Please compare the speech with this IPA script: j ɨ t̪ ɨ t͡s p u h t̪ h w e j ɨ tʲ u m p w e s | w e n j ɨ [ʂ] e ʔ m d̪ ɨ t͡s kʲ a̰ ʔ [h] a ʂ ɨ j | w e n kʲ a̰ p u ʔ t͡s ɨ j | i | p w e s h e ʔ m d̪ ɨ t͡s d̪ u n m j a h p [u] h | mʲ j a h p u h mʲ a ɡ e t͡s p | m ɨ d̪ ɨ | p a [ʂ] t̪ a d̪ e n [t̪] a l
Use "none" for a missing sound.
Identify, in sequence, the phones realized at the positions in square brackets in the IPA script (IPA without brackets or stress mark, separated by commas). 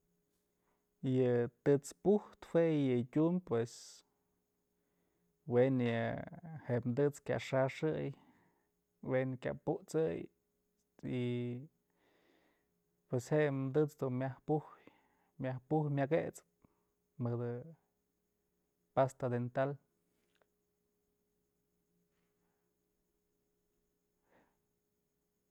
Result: h, ʂ, u, s, t̪